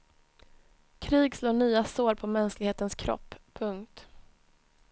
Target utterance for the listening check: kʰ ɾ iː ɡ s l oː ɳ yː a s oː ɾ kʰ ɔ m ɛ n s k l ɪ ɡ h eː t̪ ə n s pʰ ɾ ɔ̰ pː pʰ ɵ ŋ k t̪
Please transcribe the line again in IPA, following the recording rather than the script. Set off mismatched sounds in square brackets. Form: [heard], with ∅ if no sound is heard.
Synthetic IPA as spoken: kʰ ɾ iː ɡ s l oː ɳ yː a s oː ɾ [pʰ] ɔ m ɛ n s k l ɪ ɡ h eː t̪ ə n s [kʰ] ɾ ɔ̰ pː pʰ ɵ ŋ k t̪